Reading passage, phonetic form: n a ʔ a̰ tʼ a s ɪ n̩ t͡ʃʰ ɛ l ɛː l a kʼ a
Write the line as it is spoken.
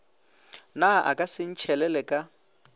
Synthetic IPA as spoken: n a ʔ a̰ kʼ a s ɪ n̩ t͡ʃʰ ɛ l ɛ l ɛ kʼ a

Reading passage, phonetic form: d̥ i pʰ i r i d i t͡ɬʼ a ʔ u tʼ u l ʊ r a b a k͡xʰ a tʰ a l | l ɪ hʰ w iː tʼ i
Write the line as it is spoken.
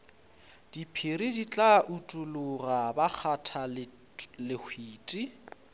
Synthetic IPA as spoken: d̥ i pʰ i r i d i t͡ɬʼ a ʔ u tʼ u l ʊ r a b a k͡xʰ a tʰ a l | l ɪ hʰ w iː tʼ i

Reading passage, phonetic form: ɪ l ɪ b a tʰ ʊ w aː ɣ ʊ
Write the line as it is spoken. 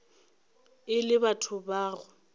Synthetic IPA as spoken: ɪ l ɪ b a tʰ ʊ b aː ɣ ʊ

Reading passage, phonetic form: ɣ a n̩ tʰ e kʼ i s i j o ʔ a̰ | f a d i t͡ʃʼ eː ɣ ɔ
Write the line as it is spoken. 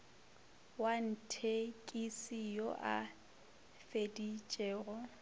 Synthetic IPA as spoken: w a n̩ tʰ e kʼ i s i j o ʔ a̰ | f e d i t͡ʃʼ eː ɣ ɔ

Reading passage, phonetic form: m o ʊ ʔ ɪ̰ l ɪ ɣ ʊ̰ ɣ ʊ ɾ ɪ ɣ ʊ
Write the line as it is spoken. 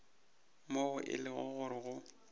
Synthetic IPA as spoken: m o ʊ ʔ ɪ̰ l ɪ ɣ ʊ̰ ɣ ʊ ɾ ɪ ɣ ʊ

